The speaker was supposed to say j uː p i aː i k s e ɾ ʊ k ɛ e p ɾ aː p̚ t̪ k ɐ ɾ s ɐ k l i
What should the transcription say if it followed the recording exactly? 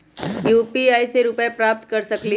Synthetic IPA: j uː p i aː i s e ɾ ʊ p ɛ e p ɾ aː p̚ t̪ k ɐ ɾ s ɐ k l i